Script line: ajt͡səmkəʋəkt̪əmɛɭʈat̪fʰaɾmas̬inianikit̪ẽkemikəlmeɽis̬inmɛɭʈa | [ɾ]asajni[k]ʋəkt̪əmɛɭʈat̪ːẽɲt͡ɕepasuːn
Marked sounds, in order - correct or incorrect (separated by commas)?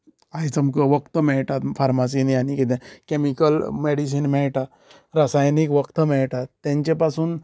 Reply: correct, correct